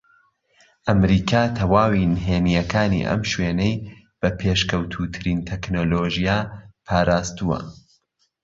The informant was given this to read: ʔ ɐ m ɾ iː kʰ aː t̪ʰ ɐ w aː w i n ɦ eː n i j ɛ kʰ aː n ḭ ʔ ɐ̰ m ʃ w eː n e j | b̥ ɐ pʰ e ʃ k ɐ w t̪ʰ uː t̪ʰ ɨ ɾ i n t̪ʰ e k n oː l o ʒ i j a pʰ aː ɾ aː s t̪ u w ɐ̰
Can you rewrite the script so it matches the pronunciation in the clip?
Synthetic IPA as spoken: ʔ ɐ m ɾ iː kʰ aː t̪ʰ ɐ w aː w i n ɦ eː n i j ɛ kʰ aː n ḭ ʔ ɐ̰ m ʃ w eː n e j | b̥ ɐ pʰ e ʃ k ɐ w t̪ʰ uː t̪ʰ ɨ ɾ i n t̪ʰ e k n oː l o ʒ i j a pʰ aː ɾ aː s t̪ u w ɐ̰